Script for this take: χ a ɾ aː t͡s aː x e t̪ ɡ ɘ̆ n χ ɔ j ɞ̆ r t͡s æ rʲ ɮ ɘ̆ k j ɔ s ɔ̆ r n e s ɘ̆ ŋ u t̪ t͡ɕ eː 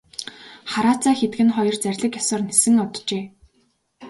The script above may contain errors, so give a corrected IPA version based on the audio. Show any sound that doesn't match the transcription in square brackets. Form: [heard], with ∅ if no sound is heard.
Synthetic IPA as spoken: χ a ɾ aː t͡s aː x e t̪ ɡ ɘ̆ n χ ɔ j ɞ̆ r t͡s æ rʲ ɮ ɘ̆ k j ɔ s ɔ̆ r n e s ɘ̆ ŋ [ʊ] t̪ t͡ɕ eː